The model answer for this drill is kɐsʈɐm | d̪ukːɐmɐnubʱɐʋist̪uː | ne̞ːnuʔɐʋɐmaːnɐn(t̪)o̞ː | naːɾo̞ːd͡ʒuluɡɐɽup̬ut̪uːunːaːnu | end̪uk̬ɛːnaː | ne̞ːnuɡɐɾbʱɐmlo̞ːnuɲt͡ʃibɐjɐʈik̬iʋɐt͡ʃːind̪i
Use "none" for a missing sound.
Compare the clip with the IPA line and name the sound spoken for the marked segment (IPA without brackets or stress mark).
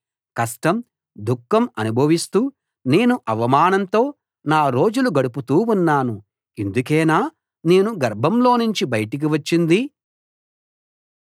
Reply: t̪